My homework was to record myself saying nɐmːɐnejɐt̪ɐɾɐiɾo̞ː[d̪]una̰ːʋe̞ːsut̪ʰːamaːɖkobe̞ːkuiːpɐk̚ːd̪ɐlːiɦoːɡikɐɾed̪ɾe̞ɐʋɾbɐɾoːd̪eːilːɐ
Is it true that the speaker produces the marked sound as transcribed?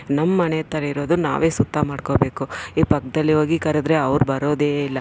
yes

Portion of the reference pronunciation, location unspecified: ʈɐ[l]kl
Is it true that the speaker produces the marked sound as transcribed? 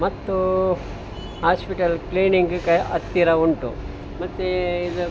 yes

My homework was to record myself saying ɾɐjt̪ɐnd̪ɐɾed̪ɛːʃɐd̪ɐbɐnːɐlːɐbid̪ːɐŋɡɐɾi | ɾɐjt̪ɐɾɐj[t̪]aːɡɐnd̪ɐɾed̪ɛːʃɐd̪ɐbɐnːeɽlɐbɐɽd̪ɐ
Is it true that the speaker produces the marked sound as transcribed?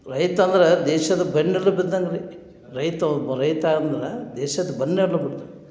yes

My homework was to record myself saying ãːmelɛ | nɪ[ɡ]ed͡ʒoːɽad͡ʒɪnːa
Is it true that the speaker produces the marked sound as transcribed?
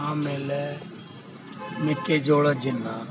no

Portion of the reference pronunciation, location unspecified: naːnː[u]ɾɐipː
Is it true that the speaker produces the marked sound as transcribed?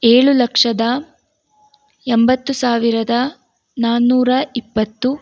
no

